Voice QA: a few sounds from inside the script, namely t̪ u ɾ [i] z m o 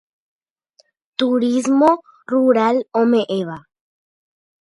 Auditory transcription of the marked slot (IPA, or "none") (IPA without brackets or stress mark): i